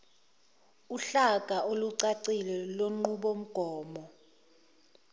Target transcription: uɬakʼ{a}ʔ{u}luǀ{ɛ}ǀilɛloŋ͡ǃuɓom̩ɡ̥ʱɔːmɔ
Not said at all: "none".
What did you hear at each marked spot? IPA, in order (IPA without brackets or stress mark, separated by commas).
a, o, a